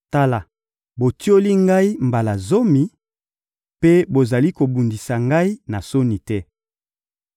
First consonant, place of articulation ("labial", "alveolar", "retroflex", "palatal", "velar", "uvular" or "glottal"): alveolar